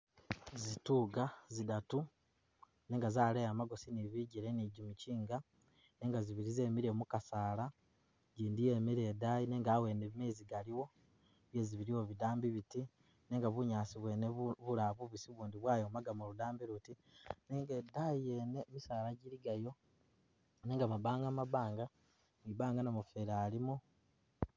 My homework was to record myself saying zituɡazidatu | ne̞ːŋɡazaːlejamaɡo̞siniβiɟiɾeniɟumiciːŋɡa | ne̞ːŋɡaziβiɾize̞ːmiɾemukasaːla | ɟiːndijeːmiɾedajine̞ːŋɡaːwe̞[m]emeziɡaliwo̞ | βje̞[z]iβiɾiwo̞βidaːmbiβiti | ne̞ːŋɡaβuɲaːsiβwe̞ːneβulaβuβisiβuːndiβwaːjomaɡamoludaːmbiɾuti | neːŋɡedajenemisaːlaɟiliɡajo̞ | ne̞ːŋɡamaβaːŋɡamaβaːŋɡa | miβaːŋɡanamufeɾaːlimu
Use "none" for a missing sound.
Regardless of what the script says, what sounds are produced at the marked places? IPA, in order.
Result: n, z

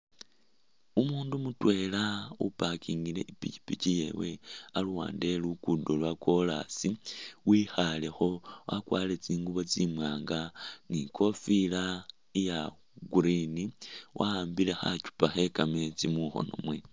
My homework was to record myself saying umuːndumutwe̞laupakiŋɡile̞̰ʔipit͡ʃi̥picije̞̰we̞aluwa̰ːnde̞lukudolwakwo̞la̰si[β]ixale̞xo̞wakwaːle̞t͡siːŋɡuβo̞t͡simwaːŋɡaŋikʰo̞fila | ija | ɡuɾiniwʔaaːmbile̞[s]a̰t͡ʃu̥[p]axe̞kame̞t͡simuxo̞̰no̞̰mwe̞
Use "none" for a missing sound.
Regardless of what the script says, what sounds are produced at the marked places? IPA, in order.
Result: w, x, p

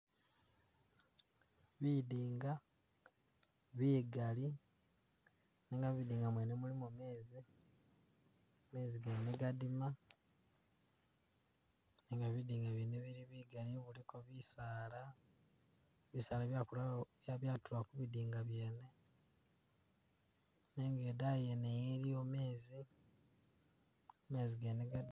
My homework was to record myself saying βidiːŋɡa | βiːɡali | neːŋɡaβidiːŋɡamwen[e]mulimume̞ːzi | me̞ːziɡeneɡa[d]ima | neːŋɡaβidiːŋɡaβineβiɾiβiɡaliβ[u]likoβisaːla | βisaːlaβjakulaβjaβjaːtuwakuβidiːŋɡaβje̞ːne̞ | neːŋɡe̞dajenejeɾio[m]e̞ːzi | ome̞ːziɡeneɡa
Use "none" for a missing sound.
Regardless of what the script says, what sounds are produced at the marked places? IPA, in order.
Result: e, d, u, m

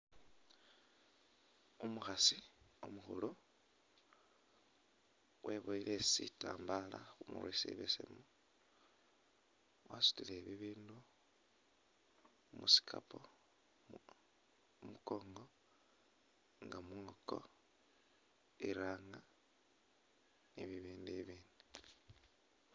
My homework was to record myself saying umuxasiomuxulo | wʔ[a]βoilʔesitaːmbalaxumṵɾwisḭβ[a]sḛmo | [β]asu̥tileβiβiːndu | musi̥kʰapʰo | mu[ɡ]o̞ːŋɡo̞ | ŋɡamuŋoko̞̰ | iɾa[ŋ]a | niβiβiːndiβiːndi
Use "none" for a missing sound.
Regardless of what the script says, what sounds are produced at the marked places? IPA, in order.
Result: e, e, w, k, ŋ

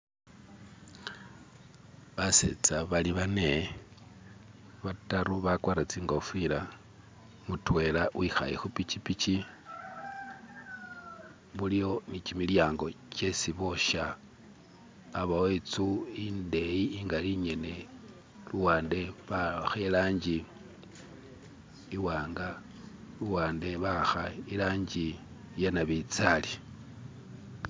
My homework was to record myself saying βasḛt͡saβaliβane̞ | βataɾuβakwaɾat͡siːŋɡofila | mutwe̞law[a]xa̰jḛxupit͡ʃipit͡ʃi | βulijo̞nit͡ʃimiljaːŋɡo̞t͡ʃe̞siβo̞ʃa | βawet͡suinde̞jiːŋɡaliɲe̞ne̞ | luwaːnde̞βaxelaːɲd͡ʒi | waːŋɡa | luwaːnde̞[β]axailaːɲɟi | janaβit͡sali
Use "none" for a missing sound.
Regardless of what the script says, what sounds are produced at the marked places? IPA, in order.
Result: i, β

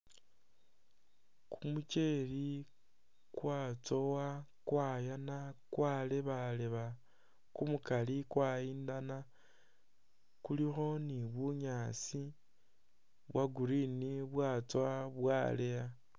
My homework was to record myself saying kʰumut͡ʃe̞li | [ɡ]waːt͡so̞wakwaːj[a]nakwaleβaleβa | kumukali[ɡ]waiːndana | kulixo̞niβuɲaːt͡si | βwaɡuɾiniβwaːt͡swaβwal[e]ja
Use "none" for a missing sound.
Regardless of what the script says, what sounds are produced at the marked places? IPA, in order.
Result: k, a, k, e

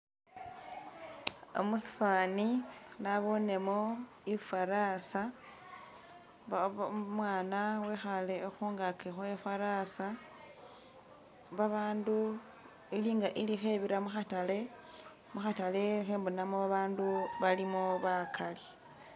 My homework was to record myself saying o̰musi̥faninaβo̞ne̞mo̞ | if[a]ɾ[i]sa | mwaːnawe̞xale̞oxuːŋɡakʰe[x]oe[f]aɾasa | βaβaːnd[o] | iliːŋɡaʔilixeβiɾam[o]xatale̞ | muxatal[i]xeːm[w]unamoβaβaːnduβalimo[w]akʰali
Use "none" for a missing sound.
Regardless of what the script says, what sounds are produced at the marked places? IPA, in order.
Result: a, a, x, f, u, u, e, b, β

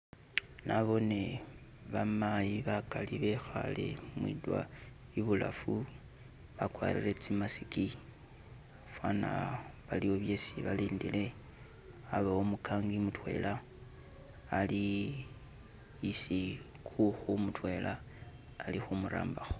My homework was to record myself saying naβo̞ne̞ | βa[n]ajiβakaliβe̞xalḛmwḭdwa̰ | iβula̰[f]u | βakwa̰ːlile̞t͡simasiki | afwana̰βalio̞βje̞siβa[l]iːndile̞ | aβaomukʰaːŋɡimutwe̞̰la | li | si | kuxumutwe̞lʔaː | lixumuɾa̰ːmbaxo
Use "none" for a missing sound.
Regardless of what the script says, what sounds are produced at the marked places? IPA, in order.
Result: m, f, l

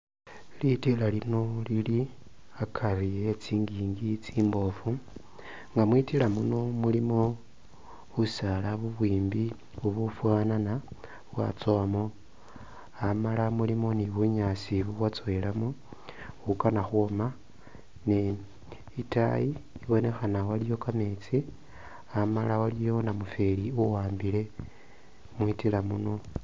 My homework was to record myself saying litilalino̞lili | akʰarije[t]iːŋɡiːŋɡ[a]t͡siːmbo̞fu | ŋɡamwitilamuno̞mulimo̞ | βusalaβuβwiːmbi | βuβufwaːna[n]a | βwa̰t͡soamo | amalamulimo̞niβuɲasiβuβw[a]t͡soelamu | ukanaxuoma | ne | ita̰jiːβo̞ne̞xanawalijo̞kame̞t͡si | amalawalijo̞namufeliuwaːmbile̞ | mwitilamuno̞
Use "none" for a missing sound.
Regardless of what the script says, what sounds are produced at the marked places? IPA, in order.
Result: t͡s, i, n, a

